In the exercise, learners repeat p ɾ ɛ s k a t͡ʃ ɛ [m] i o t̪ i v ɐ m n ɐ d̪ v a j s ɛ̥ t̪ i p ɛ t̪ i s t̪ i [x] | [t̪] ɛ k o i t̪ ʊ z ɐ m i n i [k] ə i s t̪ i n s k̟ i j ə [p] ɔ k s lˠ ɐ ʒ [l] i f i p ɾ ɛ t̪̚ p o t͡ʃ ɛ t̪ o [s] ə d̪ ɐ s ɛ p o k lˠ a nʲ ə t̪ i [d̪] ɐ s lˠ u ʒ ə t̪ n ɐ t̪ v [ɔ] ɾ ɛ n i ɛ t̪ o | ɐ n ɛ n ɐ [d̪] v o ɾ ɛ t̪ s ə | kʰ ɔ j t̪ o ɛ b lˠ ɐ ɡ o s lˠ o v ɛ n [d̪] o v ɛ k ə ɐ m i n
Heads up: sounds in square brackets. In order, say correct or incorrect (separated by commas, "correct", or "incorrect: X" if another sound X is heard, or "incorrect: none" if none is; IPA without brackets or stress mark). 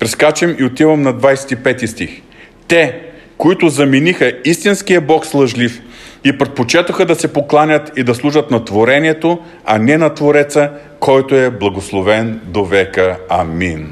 correct, correct, correct, incorrect: x, incorrect: b, correct, incorrect: x, correct, incorrect: o, incorrect: t̪, correct